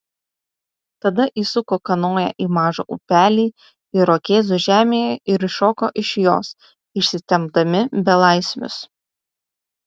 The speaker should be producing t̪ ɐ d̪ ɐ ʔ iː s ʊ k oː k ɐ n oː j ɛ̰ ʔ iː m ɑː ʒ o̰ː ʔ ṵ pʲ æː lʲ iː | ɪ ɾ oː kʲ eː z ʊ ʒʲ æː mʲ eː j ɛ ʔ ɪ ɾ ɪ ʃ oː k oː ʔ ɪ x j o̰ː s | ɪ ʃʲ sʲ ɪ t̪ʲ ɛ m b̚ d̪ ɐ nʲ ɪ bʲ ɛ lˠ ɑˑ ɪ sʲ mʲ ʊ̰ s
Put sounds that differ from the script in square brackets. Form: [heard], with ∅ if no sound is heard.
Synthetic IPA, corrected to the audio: t̪ ɐ d̪ ɐ ʔ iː s ʊ k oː k ɐ n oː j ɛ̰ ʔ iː m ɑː ʒ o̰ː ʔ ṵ pʲ æː lʲ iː | ɪ ɾ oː kʲ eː z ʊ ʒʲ æː mʲ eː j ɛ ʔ ɪ ɾ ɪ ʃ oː k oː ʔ ɪ [ʃ] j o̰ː s | ɪ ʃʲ sʲ ɪ t̪ʲ ɛ m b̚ d̪ ɐ [mʲ] ɪ bʲ ɛ lˠ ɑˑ ɪ sʲ mʲ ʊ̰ s